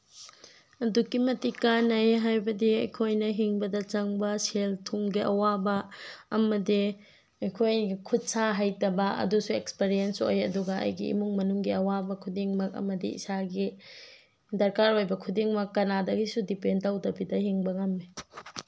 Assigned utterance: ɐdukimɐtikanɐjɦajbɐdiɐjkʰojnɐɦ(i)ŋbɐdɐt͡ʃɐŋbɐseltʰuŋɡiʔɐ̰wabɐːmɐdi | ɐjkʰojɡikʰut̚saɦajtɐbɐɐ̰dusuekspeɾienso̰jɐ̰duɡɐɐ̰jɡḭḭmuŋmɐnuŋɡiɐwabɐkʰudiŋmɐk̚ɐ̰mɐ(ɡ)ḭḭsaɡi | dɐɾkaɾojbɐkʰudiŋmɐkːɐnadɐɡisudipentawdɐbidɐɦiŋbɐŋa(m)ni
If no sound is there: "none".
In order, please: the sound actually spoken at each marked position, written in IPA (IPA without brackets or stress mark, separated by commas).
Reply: i, d, m